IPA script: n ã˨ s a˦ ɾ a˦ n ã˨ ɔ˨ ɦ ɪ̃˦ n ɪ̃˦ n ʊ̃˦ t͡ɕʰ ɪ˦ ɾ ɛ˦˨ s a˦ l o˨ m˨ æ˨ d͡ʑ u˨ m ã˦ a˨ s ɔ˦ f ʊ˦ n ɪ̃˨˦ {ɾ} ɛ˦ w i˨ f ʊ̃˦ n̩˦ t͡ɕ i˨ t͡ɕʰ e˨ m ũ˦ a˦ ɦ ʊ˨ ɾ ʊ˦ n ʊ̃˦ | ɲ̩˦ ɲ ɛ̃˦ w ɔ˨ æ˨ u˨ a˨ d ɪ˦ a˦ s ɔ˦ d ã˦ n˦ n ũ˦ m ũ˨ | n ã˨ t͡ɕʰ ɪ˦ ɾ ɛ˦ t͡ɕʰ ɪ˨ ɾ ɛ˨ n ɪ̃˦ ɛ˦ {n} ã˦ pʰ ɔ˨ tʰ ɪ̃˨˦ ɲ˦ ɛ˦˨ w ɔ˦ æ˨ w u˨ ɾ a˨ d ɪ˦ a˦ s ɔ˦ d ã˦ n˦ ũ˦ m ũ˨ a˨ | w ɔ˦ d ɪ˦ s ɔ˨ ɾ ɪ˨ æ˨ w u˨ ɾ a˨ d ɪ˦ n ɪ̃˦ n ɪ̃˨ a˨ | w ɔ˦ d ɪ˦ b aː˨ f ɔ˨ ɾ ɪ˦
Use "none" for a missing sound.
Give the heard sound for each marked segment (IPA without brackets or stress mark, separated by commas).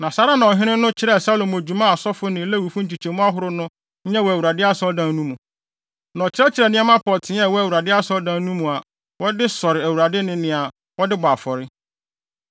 l, m